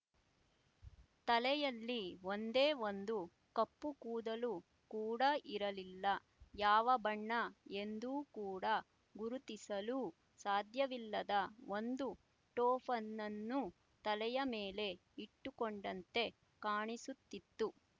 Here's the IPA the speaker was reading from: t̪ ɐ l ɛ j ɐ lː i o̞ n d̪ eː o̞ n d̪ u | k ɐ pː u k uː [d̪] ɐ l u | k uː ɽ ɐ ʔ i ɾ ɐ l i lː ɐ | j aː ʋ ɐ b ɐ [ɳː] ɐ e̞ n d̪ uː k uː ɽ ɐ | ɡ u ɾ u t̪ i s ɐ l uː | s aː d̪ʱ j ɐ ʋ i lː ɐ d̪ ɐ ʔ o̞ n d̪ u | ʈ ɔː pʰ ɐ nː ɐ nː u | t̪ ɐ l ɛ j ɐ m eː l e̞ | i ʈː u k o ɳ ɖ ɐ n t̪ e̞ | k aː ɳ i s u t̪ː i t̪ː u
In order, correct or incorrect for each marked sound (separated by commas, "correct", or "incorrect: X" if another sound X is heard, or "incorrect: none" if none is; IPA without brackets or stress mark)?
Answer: correct, correct